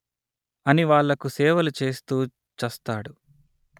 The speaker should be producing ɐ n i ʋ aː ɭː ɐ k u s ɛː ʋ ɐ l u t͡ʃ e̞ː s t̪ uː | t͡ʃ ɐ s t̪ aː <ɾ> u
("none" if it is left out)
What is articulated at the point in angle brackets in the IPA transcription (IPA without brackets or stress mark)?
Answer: ɽ